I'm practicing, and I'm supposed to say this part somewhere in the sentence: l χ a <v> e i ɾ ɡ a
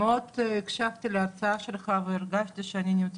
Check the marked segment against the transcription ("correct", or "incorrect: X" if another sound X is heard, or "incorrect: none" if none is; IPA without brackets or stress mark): correct